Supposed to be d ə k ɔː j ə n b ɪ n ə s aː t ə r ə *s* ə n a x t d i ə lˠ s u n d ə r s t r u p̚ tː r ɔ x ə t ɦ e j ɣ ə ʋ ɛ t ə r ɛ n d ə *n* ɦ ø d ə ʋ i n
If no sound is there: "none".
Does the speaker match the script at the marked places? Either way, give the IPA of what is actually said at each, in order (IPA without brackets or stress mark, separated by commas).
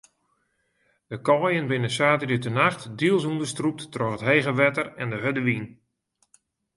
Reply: t, none